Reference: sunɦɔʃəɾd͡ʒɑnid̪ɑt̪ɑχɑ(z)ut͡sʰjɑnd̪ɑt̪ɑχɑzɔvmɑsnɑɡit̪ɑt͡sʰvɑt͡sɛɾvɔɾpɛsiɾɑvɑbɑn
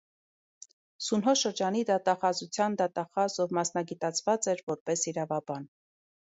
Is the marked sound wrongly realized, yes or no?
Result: no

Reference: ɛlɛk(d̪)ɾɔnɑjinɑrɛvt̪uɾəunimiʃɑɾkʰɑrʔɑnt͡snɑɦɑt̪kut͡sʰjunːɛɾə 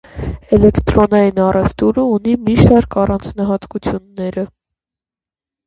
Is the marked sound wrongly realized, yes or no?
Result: yes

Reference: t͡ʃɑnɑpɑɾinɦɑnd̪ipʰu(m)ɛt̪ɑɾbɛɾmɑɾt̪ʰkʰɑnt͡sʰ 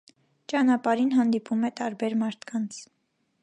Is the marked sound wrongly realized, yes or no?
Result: no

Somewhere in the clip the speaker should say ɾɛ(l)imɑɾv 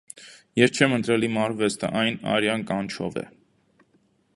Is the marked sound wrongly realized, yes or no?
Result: no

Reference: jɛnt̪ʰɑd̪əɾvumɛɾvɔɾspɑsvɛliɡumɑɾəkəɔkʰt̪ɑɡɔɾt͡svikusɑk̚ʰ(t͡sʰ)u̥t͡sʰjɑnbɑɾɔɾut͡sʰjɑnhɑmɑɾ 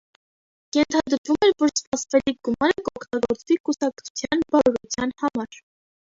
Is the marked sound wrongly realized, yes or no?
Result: no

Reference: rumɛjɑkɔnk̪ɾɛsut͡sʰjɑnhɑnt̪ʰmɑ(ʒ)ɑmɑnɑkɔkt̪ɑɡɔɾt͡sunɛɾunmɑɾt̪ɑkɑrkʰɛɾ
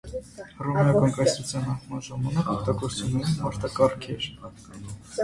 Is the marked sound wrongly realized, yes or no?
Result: no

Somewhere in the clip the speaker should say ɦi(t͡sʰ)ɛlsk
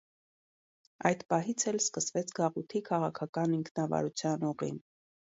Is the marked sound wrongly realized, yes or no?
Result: no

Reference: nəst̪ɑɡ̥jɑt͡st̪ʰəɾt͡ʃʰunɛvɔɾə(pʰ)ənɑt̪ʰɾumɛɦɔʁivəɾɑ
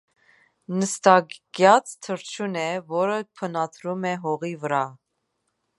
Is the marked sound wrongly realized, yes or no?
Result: no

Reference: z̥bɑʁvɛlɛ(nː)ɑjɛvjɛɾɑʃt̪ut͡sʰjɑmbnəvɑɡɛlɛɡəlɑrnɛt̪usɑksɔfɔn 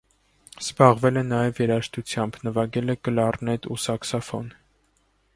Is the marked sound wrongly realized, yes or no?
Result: yes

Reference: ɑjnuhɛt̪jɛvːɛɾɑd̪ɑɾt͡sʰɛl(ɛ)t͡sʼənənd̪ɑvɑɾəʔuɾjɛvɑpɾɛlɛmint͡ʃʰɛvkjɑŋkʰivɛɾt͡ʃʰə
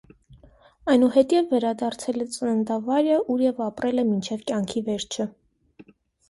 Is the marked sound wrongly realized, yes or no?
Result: no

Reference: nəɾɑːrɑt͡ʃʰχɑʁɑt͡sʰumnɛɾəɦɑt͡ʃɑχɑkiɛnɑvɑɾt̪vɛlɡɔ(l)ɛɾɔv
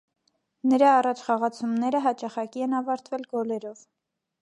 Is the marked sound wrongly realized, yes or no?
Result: no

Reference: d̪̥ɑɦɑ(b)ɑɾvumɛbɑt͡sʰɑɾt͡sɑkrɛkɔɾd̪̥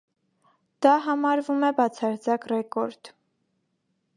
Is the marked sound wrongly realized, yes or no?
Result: yes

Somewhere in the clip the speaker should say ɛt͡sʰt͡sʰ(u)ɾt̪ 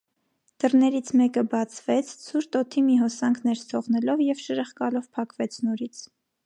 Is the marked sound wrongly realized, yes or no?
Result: no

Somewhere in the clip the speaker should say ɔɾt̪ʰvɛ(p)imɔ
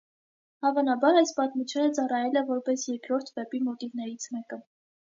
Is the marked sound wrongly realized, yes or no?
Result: no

